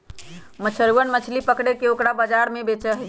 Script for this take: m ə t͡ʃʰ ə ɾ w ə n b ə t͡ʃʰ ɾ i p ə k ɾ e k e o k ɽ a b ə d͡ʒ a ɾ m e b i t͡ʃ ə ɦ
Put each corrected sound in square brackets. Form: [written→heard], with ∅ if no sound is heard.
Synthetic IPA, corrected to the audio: m ə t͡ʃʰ ə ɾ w ə n [b→m] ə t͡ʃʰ [ɾ→l] i p ə k [ɾ→ɽ] e k e o k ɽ a b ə d͡ʒ a ɾ m e b [i→e] t͡ʃ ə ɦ